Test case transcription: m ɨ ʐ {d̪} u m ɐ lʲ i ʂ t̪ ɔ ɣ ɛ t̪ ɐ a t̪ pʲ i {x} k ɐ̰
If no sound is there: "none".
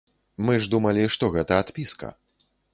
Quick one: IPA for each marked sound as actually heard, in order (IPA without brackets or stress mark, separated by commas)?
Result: d̪, s